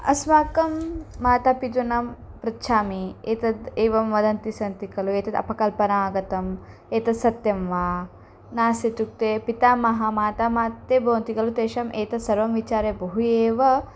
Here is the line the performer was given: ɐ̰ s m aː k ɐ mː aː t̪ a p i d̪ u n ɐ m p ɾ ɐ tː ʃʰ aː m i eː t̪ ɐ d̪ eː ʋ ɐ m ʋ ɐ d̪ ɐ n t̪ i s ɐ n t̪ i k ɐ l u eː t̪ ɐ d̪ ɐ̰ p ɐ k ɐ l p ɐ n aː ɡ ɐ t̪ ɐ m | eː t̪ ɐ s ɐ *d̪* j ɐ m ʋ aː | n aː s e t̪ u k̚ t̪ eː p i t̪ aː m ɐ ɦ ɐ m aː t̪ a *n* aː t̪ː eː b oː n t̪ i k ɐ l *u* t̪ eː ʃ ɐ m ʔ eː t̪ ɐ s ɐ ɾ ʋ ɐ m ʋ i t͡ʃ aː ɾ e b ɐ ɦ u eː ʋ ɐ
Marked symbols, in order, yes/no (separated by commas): no, no, yes